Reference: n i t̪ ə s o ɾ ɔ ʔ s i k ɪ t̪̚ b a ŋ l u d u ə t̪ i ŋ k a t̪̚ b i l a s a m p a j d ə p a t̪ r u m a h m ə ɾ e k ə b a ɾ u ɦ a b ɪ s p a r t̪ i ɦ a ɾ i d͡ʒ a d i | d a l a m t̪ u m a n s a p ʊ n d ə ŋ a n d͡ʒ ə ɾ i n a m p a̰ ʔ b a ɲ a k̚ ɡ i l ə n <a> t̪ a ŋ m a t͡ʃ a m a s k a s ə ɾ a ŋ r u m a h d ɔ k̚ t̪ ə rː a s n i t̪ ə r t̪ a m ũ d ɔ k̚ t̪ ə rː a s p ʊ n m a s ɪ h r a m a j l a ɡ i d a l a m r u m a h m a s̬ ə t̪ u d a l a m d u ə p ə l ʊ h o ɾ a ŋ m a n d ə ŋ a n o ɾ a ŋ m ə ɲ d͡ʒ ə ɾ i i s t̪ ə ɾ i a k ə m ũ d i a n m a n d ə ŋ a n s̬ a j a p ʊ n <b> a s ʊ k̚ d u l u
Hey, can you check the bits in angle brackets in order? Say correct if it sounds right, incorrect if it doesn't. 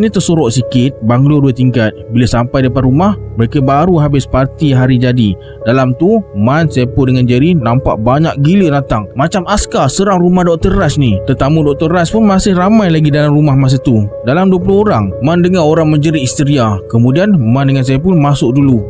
correct, incorrect: m

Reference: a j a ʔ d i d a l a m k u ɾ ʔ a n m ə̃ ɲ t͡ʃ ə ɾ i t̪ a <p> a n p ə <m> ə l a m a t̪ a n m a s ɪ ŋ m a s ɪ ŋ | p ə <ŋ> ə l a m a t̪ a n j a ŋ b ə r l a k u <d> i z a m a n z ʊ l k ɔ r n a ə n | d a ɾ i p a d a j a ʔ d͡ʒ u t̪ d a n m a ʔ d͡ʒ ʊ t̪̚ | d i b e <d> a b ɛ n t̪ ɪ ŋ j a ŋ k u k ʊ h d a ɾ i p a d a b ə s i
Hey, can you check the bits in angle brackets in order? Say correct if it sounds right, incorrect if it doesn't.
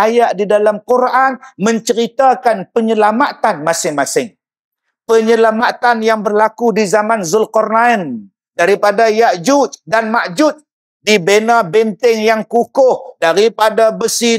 incorrect: k, incorrect: ɲ, incorrect: ɲ, correct, incorrect: n

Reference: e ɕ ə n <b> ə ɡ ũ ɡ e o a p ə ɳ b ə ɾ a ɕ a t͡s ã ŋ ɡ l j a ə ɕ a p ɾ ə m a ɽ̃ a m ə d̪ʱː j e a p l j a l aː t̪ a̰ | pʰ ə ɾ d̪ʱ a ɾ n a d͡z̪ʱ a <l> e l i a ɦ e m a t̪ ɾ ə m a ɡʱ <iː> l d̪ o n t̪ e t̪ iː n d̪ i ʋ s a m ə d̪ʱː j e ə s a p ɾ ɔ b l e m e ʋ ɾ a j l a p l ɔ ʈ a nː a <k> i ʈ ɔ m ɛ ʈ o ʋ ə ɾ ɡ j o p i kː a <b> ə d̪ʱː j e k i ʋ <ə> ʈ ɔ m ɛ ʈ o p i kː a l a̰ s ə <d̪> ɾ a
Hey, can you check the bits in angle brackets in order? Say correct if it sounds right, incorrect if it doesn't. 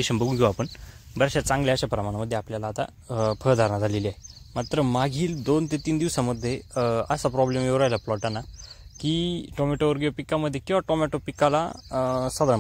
correct, correct, correct, correct, incorrect: m, incorrect: a, correct

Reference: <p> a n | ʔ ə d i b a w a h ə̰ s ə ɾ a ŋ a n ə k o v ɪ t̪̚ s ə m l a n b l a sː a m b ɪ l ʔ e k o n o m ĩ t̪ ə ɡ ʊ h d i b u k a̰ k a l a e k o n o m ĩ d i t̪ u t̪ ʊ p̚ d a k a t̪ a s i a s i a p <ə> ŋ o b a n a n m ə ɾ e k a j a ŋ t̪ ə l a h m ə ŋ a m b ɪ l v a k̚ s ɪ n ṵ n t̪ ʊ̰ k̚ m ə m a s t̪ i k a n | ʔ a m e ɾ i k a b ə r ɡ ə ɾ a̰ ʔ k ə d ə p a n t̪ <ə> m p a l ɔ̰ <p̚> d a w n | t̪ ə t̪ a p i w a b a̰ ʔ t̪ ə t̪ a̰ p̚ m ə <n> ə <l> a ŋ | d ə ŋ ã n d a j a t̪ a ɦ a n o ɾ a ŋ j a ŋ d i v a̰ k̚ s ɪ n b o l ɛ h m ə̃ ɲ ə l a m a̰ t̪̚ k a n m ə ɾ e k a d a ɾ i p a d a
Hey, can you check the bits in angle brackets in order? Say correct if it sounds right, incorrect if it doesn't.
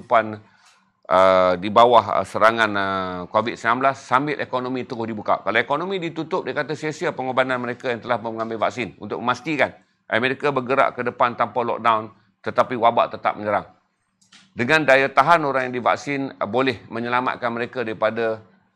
correct, correct, incorrect: a, incorrect: k̚, incorrect: ɲ, incorrect: ɾ

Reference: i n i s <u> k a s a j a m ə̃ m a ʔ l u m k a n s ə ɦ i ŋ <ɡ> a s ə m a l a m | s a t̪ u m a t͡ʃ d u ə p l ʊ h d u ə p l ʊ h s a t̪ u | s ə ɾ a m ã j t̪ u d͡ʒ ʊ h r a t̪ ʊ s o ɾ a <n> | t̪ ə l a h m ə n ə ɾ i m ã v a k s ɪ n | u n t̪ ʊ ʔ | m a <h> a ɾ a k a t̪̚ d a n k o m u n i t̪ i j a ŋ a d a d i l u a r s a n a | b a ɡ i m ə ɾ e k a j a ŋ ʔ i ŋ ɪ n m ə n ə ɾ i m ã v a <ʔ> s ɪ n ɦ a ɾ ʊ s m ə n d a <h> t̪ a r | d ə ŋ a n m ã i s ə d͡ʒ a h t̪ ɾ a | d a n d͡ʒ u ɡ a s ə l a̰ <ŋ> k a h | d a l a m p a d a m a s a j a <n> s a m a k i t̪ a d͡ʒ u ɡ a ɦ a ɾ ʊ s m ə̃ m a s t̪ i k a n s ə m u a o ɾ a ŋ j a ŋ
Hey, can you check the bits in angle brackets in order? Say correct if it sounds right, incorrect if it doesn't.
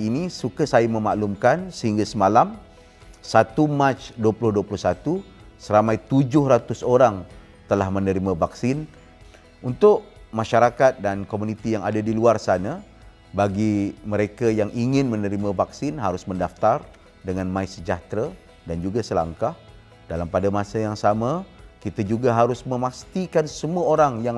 correct, correct, incorrect: ŋ, incorrect: ʃ, incorrect: k, incorrect: f, correct, incorrect: ŋ

